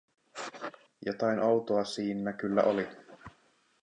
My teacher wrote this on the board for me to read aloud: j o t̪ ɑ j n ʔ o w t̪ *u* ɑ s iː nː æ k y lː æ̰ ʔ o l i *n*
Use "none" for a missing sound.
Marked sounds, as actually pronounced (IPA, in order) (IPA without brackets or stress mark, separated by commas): o, none